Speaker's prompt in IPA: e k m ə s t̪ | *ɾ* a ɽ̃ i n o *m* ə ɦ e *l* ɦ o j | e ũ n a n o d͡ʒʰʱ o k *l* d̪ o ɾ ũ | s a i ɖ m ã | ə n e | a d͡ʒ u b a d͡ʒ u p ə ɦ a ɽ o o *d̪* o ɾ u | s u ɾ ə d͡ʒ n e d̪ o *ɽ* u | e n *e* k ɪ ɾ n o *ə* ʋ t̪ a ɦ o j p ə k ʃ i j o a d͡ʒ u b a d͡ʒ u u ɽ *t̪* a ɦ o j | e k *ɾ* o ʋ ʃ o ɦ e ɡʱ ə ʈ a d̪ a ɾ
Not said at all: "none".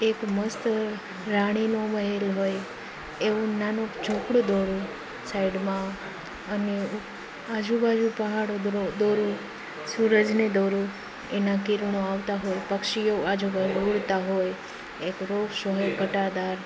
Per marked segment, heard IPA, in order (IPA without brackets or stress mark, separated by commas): ɾ, m, l, ɽ, d̪, ɾ, a, a, t̪, ɾ